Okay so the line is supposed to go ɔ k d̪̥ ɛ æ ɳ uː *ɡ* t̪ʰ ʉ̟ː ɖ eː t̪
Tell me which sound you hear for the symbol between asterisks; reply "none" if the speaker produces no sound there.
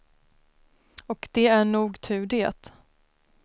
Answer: ɡ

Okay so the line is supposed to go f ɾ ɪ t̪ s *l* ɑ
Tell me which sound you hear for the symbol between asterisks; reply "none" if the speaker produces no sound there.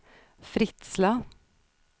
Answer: l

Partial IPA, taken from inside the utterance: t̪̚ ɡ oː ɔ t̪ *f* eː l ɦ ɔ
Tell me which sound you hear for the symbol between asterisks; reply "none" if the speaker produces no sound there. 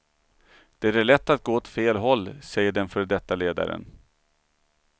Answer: f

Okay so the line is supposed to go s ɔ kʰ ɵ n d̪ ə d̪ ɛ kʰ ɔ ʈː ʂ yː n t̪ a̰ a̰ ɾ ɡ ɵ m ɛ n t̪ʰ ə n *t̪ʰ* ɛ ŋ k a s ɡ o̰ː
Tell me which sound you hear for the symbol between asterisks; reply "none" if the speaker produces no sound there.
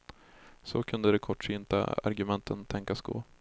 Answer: t̪ʰ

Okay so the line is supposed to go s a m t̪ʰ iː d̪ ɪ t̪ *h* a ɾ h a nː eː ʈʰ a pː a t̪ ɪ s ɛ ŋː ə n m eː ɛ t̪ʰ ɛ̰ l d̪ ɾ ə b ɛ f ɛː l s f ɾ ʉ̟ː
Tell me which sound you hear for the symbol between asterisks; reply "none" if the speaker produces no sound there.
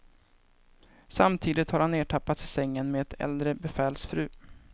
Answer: h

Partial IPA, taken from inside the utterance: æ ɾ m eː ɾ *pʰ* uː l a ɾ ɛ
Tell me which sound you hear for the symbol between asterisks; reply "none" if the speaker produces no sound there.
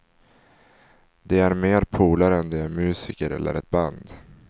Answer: pʰ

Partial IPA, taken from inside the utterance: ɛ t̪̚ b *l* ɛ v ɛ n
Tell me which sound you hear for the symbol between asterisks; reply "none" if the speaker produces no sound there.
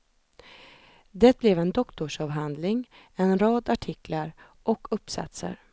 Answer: l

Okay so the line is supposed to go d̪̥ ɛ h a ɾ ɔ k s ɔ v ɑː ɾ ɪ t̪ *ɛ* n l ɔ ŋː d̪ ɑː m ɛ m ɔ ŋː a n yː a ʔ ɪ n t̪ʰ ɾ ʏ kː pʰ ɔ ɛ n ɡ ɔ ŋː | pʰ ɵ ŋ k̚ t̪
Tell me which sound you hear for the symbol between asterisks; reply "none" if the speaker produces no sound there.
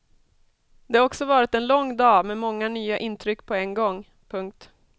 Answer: ɛ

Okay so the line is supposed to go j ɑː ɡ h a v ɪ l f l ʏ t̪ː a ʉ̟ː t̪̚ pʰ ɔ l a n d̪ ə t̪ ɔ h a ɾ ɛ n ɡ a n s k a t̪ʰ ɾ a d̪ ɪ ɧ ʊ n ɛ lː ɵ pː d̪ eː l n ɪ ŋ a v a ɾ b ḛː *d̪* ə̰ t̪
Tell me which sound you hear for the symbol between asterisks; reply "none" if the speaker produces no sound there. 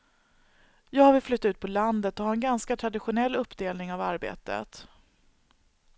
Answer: t̪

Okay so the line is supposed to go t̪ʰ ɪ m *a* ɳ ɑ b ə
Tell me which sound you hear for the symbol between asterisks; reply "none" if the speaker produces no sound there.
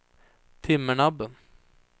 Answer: ə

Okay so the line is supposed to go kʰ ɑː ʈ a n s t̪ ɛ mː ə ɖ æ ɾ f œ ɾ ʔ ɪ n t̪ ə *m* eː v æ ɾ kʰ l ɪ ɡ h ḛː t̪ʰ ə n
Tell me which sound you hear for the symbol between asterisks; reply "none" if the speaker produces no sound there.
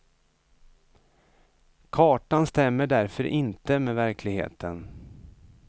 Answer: m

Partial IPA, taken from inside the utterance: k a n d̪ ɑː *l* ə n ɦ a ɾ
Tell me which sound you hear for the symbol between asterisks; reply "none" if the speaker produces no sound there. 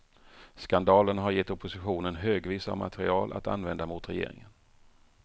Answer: l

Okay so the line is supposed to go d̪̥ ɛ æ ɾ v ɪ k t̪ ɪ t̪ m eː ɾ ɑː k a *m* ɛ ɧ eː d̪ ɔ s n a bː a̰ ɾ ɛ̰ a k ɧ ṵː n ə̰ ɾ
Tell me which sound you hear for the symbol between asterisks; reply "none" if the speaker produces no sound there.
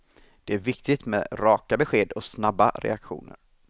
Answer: b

